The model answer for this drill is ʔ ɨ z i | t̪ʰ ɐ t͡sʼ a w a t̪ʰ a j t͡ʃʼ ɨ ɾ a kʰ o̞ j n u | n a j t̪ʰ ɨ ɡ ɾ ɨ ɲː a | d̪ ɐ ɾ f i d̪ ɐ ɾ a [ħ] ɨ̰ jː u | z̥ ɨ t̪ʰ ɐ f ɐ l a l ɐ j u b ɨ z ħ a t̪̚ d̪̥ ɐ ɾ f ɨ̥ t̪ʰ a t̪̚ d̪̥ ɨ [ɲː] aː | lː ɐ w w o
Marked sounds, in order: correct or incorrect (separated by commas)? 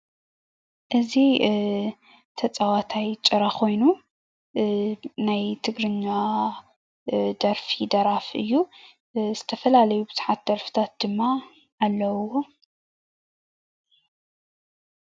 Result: incorrect, incorrect